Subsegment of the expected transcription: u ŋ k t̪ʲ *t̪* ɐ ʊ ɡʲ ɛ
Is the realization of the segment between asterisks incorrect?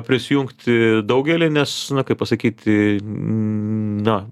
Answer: yes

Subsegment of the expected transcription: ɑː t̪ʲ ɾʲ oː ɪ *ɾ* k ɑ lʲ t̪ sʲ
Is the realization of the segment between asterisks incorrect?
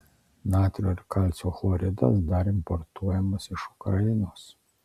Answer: no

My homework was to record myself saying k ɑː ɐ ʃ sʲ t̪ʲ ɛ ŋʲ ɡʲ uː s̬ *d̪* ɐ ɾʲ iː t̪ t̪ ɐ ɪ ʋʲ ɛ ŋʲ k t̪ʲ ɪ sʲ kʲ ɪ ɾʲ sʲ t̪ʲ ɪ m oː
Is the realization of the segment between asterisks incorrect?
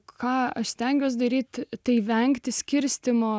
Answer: no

